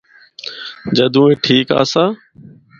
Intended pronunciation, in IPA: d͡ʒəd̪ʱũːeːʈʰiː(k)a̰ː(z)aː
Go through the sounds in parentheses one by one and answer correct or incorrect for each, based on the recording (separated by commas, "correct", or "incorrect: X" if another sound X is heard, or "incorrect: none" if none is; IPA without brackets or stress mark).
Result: correct, incorrect: s